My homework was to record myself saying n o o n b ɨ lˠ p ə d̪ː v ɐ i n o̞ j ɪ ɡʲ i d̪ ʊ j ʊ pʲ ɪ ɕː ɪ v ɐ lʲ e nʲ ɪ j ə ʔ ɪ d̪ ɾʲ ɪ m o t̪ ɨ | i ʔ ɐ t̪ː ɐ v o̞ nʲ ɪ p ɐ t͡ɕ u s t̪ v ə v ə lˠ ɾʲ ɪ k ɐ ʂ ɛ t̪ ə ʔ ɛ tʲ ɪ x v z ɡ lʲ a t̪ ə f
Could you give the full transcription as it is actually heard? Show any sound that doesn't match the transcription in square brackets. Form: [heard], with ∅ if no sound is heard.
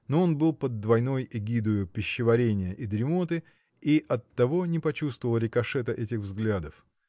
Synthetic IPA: n o o n b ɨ lˠ p ə d̪ː v ɐ [j] n o̞ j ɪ ɡʲ i d̪ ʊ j ʊ pʲ ɪ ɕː ɪ v ɐ [ɾʲ] e nʲ ɪ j ə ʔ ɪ d̪ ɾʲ ɪ m o t̪ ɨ | i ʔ ɐ t̪ː ɐ v o̞ nʲ ɪ p ɐ t͡ɕ u s t̪ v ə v ə lˠ ɾʲ ɪ k ɐ ʂ ɛ t̪ ə ʔ ɛ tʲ ɪ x v z ɡ lʲ a [d̪] ə f